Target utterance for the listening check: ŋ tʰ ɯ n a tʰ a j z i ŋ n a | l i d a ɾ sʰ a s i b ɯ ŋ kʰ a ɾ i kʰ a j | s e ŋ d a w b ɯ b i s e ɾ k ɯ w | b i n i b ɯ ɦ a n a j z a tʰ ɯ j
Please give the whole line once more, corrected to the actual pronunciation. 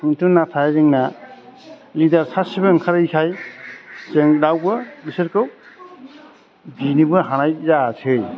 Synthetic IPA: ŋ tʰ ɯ n a tʰ a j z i ŋ n a | l i d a ɾ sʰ a s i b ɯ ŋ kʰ a ɾ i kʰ a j | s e ŋ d a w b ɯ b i s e ɾ k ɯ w | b i n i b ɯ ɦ a n a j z a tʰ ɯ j